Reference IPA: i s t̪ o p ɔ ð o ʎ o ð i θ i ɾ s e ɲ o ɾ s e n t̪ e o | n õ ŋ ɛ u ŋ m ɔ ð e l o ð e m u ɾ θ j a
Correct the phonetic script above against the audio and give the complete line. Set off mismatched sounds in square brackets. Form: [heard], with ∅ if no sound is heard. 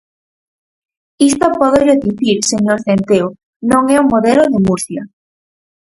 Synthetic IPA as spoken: i s t̪ o p ɔ ð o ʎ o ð i θ i ɾ s e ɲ o ɾ [θ] e n t̪ e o | n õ ŋ ɛ u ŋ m [o] ð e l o ð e m u ɾ θ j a